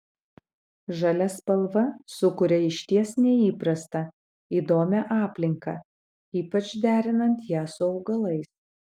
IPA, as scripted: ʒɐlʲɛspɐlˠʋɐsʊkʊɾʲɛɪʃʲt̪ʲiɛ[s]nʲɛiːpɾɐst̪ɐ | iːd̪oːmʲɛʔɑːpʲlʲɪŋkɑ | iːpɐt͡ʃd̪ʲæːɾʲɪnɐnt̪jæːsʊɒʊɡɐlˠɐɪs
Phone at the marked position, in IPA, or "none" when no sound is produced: s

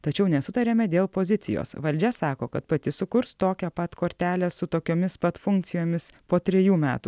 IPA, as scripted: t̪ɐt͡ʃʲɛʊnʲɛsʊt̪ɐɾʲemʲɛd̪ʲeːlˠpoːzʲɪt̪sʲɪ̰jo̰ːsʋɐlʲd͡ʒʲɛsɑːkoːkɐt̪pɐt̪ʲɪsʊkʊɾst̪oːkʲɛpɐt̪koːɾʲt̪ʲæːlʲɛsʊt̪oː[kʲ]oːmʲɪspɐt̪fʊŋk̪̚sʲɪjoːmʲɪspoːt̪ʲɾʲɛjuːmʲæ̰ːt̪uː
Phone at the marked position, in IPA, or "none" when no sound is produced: kʲ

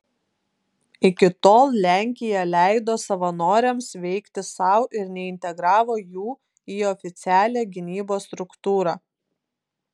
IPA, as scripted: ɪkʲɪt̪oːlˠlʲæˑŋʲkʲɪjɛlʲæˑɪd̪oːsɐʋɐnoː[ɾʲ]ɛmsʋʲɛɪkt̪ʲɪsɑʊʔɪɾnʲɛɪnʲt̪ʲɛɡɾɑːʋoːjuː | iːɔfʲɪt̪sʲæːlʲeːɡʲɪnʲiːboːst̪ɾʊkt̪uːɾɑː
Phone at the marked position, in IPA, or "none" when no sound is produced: ɾʲ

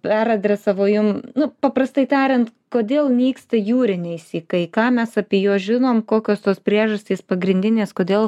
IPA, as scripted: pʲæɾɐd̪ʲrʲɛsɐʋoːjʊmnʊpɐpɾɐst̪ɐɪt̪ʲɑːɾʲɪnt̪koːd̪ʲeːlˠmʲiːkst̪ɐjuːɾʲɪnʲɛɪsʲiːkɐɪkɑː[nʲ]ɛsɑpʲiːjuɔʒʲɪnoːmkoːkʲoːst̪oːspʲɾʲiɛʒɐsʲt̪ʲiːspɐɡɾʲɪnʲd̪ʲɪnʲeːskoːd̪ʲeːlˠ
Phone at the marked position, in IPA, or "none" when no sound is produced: mʲ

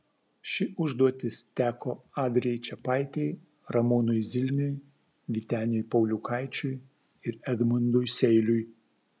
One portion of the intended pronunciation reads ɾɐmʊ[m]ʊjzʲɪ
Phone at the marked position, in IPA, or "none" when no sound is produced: n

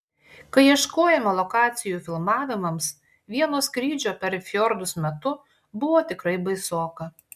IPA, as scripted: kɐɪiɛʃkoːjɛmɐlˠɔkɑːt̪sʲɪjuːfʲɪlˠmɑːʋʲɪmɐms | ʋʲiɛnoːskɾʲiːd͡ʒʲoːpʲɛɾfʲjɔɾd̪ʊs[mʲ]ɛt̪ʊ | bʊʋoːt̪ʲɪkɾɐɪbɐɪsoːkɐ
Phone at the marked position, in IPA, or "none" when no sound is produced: mʲ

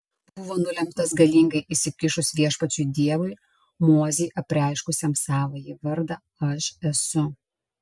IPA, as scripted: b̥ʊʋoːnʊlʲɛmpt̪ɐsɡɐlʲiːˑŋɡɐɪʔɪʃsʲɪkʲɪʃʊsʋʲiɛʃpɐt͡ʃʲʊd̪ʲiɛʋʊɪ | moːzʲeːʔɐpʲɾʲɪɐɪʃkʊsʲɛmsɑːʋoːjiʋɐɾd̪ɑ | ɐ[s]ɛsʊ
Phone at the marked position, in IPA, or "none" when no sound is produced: ʃ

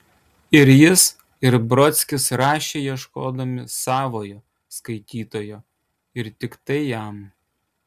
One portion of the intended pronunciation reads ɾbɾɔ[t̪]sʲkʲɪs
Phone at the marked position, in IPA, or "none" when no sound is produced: t̪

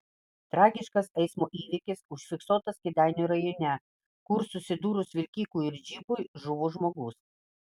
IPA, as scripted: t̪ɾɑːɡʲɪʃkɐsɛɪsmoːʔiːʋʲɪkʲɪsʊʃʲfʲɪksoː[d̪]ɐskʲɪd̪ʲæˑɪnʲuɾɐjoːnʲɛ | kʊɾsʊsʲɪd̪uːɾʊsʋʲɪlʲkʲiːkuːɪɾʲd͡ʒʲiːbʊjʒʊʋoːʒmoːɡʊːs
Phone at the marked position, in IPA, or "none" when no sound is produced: t̪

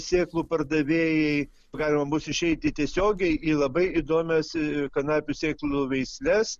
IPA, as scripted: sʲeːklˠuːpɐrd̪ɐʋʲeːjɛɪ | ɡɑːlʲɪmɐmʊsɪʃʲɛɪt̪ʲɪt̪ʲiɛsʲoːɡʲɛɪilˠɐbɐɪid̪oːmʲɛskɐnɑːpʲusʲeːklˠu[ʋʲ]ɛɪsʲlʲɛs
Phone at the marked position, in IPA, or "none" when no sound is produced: ʋʲ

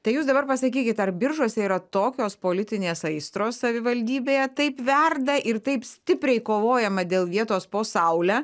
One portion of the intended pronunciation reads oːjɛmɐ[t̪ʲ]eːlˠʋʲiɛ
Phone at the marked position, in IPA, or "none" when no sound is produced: d̪ʲ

